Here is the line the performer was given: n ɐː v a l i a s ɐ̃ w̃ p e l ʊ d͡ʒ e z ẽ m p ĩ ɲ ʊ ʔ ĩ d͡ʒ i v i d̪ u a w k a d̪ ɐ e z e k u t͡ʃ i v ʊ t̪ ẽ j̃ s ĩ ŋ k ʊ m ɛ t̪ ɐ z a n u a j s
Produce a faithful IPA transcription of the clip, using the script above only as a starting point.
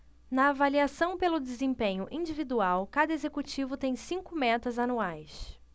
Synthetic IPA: n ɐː v a l i a s ɐ̃ w̃ p e l ʊ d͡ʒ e z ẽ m p ẽ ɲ ʊ ʔ ĩ d͡ʒ i v i d̪ u a w k a d̪ ɐ e z e k u t͡ʃ i v ʊ t̪ ẽ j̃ s ĩ ŋ k ʊ m ɛ t̪ ɐ z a n u a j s